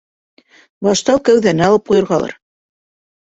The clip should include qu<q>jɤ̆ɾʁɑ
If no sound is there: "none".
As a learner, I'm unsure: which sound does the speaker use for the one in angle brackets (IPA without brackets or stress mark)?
none